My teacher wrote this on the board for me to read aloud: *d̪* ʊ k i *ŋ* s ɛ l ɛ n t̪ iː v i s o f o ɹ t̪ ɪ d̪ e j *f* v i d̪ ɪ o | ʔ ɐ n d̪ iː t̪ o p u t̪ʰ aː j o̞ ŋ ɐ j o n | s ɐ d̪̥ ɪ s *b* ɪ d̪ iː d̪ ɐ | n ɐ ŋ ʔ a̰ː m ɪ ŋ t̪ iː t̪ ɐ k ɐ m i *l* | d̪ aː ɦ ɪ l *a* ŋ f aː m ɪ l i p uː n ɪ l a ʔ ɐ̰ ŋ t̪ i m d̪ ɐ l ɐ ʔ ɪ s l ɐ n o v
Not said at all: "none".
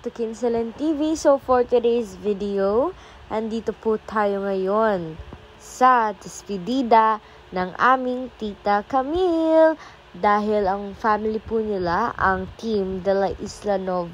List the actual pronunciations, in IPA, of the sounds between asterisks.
t̪, n, s, p, l, ɐ

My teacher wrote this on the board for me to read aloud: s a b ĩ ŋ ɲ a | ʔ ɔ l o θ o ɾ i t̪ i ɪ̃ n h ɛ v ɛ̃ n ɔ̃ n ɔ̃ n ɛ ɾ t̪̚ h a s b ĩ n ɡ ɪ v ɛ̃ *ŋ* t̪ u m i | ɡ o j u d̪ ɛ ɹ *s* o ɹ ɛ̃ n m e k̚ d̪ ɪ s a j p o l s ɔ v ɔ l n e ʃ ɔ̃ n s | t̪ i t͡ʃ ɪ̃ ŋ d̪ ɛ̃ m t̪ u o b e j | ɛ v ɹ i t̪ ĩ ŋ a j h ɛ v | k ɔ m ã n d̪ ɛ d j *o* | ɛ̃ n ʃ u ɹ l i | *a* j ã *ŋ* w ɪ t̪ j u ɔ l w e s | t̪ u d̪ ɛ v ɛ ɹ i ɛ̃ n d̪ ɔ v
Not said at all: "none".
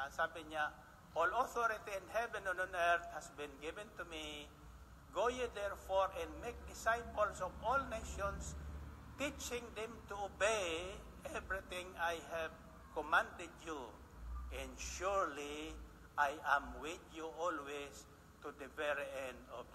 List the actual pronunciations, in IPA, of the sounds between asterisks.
n, f, u, a, m

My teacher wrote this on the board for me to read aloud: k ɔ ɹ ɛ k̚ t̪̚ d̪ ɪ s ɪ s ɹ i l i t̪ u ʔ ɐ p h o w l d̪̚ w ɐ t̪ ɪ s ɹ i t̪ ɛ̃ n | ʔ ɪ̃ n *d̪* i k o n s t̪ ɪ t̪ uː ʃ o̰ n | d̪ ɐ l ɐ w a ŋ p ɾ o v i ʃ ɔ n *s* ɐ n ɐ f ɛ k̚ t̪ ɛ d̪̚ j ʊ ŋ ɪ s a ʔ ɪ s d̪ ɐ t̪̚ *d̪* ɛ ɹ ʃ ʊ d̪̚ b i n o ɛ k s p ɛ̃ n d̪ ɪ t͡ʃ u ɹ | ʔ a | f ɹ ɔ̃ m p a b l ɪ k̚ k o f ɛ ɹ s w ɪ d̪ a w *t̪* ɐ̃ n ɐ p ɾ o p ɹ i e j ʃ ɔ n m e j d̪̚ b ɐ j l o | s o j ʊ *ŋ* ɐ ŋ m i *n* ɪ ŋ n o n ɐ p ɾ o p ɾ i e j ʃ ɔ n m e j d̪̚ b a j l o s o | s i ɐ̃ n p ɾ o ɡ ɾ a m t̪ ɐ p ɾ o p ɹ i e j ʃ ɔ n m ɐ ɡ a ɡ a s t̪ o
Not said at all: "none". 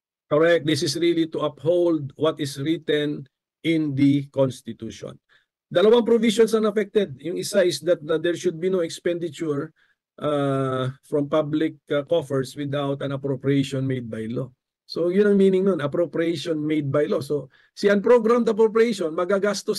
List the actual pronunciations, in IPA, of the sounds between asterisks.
d̪, s, d̪, t̪, n, n

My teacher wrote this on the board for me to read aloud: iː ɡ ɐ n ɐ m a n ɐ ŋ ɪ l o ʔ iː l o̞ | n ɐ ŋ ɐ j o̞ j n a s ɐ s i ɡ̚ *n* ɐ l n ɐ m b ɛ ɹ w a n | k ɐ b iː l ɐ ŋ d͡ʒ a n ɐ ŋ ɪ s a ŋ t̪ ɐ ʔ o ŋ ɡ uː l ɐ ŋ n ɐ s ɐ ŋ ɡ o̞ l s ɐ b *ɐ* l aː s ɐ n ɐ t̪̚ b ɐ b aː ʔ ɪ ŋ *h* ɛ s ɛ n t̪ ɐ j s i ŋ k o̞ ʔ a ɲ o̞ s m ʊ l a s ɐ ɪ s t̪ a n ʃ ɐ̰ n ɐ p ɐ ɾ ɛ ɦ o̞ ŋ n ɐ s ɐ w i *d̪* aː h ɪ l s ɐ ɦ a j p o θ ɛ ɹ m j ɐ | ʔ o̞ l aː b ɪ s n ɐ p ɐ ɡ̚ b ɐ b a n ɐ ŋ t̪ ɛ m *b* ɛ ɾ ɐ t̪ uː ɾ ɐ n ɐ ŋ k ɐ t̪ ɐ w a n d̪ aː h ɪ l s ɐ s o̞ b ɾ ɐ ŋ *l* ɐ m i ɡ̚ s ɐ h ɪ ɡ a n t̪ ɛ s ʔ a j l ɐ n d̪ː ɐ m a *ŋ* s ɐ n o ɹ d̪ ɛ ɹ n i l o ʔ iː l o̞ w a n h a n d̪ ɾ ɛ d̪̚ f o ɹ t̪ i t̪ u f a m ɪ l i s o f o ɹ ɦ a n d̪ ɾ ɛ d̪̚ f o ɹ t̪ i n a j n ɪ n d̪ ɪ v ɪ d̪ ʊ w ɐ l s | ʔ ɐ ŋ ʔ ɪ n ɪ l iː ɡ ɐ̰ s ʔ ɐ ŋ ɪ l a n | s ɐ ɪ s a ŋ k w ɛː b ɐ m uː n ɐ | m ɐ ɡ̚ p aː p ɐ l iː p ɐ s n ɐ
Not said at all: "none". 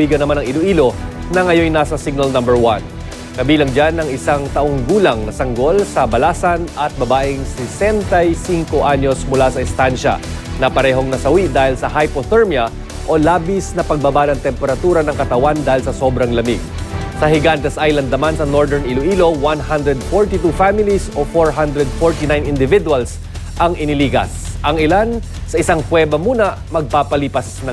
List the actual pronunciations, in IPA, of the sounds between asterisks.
n, ɐ, s, d̪, p, l, n

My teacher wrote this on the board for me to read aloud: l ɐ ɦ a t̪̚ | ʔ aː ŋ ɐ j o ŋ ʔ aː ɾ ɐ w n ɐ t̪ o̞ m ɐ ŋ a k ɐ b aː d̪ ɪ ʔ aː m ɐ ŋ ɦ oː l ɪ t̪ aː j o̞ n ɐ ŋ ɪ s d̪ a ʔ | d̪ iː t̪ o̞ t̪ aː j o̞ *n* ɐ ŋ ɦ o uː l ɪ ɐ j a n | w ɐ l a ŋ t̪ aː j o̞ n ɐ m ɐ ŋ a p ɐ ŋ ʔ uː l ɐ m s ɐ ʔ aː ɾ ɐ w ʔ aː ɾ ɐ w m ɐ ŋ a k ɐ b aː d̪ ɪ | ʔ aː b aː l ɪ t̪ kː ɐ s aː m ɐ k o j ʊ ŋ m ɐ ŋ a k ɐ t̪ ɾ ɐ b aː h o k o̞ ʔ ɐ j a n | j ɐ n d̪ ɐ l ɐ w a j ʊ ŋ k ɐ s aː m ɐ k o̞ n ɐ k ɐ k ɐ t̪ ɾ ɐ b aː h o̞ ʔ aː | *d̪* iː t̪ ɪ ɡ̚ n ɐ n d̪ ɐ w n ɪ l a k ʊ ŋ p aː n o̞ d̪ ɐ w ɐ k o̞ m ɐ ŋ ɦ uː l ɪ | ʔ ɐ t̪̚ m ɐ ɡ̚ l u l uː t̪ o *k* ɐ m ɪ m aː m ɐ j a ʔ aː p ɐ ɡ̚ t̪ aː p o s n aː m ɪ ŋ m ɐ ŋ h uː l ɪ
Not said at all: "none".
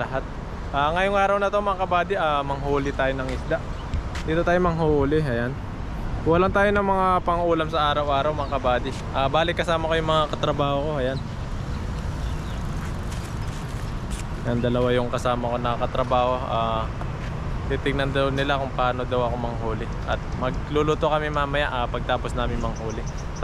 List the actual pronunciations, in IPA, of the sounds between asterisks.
m, t̪, k

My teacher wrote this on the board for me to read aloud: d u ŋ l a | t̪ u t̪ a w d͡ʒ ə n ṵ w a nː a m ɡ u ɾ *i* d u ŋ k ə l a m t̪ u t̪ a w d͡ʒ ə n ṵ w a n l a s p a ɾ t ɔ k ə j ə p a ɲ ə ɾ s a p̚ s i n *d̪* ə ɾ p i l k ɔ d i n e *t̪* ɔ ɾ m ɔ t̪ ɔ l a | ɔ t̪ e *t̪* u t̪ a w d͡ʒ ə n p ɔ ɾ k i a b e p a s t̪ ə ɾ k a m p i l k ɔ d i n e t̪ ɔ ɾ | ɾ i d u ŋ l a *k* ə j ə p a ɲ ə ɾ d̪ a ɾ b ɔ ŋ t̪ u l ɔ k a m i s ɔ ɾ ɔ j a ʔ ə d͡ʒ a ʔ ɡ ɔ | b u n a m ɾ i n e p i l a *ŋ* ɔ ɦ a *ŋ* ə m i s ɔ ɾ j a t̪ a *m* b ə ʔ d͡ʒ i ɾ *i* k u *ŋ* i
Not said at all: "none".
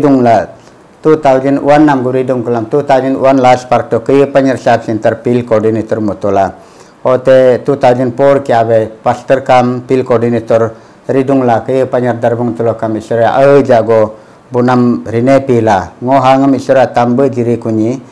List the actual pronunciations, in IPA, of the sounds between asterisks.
i, t̪, t̪, t̪, k, ŋ, ŋ, m, i, ɲ

